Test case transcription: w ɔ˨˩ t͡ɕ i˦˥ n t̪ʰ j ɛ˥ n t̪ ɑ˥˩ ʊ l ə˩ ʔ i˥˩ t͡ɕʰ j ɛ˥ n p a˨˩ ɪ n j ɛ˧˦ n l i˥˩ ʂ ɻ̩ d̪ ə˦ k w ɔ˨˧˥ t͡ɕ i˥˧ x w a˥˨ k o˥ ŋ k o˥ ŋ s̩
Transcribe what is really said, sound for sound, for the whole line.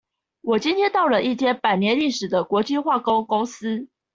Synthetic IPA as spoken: w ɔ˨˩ t͡ɕ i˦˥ n t̪ʰ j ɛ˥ n t̪ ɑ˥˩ ʊ l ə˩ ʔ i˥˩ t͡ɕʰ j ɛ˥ n p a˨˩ ɪ n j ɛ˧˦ n l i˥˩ ʂ ɻ̩ d̪ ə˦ k w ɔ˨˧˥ t͡ɕ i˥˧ x w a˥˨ k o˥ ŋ k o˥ ŋ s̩

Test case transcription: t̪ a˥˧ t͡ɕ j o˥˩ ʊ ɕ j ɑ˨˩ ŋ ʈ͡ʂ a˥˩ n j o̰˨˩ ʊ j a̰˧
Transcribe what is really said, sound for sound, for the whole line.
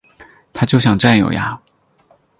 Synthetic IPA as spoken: t̪ʰ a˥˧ t͡ɕ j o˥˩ ʊ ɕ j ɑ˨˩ ŋ ʈ͡ʂ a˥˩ n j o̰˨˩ ʊ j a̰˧

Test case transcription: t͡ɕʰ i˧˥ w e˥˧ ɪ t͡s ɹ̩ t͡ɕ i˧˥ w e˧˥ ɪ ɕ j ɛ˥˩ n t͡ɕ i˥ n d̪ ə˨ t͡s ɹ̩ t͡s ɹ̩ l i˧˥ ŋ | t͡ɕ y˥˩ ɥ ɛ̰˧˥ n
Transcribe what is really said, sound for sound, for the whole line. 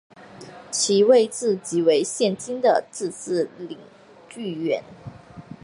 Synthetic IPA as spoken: t͡ɕʰ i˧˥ w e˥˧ ɪ t͡s ɹ̩ t͡ɕ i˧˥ w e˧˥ ɪ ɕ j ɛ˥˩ n t͡ɕ i˥ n d̪ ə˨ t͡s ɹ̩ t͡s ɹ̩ l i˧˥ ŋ | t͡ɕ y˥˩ ɥ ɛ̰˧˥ n

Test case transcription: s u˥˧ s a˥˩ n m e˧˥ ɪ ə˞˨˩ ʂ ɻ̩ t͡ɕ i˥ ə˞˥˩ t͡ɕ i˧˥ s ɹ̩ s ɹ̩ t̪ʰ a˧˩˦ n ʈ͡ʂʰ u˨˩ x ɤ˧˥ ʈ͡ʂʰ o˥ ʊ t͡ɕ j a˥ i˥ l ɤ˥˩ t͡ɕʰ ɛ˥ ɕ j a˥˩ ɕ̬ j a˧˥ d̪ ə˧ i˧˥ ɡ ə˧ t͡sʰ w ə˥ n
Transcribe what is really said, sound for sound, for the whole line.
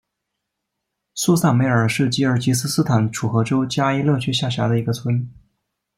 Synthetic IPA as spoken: s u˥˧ s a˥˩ n m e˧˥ ɪ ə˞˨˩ ʂ ɻ̩ t͡ɕ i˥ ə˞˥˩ t͡ɕ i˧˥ s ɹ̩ s ɹ̩ t̪ʰ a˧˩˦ n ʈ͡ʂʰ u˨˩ x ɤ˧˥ ʈ͡ʂ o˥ ʊ t͡ɕ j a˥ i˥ l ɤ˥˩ t͡ɕʰ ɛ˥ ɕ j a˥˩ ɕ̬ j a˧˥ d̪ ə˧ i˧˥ ɡ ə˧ t͡sʰ w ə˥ n

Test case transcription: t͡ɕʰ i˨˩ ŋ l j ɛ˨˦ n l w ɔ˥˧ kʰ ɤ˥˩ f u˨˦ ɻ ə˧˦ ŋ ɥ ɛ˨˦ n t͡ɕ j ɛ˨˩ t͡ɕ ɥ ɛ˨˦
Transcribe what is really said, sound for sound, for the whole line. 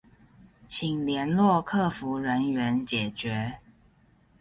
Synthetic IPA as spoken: t͡ɕʰ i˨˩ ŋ l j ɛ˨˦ n l w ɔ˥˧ kʰ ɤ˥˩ f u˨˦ ɻ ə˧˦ n ɥ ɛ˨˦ n t͡ɕ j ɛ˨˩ t͡ɕ ɥ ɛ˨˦

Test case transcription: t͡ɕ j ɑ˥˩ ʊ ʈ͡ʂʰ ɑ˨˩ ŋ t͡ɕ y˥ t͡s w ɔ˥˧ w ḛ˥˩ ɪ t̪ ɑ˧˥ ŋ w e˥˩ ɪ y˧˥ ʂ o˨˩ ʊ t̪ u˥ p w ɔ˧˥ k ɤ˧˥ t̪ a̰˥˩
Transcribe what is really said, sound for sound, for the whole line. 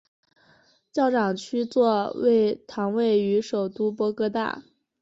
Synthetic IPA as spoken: t͡ɕ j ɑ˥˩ ʊ ʈ͡ʂ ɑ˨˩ ŋ t͡ɕʰ y˥ t͡s w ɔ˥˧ w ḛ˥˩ ɪ t̪ʰ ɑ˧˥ ŋ w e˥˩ ɪ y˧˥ ʂ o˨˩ ʊ t̪ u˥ p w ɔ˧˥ k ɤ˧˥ t̪ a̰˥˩

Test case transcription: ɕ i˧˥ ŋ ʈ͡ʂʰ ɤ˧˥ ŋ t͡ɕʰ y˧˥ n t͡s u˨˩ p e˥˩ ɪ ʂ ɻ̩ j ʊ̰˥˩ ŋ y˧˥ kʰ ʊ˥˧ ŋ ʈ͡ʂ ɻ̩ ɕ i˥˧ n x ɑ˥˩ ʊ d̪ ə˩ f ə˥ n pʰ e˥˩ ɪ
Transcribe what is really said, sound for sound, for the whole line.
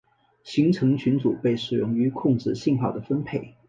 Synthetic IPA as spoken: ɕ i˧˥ ŋ ʈ͡ʂʰ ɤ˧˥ ŋ t͡ɕʰ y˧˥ n t͡s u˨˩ p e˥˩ ɪ ʂ ɻ̩ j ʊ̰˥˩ ŋ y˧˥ kʰ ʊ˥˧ ŋ ʈ͡ʂ ɻ̩ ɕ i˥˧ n x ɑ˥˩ ʊ d̪ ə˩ f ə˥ n pʰ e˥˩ ɪ

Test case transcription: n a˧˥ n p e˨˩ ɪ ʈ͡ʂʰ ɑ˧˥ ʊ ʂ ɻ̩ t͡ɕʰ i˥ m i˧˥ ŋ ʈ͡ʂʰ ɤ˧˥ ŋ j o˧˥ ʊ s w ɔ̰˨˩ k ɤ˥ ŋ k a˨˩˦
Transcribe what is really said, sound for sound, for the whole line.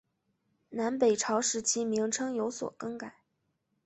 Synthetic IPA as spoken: n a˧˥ n p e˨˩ ɪ ʈ͡ʂʰ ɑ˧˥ ʊ ʂ ɻ̩ t͡ɕʰ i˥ m i˧˥ ŋ ʈ͡ʂʰ ɤ˥ ŋ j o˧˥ ʊ s w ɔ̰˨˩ k ɤ˥ ŋ k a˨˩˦

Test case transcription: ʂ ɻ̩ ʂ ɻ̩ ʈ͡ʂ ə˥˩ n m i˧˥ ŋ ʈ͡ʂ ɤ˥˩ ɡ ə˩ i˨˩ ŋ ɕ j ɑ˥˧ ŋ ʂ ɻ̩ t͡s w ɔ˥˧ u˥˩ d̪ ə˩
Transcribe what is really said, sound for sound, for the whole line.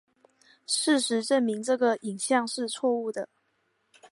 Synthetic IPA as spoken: ʂ ɻ̩ ʂ ɻ̩ ʈ͡ʂ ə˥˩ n m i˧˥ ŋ ʈ͡ʂ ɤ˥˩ ɡ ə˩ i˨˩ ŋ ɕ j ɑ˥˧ ŋ ʂ ɻ̩ t͡sʰ w ɔ˥˧ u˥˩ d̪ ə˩

